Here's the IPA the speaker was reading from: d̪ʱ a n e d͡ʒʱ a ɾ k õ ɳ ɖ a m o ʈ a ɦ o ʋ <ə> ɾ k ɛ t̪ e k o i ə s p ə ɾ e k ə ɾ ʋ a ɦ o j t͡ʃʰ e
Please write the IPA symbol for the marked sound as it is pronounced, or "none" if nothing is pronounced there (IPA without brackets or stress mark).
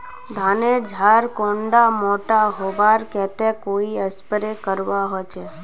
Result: a